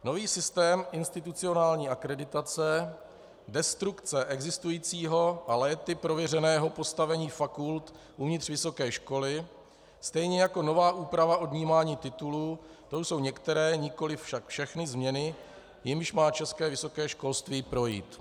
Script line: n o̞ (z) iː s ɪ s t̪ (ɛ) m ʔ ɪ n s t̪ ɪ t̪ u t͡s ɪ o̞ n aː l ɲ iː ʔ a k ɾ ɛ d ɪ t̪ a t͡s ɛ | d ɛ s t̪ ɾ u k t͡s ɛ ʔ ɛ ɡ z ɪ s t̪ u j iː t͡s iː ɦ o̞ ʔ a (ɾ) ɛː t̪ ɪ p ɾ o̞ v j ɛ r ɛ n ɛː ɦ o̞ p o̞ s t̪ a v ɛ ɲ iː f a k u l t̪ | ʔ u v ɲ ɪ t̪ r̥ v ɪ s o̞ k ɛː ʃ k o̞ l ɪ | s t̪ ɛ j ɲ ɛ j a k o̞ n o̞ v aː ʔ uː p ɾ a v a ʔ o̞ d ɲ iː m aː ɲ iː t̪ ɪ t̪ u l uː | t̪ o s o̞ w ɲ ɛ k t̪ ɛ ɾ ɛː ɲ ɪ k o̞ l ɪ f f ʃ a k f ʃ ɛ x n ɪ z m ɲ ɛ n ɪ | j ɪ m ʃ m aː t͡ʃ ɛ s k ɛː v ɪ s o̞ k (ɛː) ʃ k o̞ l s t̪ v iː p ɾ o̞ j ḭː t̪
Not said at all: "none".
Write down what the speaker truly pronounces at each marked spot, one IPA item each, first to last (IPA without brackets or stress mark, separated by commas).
v, ɛː, l, ɛː